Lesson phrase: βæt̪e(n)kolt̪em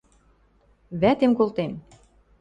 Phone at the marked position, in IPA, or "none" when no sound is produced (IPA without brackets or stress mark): m